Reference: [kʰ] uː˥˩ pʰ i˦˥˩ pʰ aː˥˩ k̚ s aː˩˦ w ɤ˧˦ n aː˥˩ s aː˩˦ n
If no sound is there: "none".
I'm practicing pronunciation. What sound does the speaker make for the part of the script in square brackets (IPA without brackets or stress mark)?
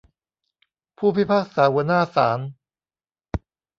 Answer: pʰ